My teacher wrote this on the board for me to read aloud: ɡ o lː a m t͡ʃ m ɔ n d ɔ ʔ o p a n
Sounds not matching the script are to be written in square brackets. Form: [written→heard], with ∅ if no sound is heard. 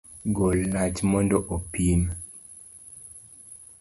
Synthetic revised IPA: ɡ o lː a [m→∅] t͡ʃ m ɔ n d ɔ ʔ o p [a→i] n